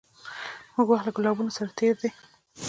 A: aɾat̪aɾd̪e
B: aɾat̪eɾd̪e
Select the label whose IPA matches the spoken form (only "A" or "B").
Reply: B